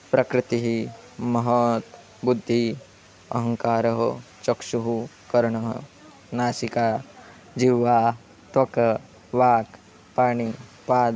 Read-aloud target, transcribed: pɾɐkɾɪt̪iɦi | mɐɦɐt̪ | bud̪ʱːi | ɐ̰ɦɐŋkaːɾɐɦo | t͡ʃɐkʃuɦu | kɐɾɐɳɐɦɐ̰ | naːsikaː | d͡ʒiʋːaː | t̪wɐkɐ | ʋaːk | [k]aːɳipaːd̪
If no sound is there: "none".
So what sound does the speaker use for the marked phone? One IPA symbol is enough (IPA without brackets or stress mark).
p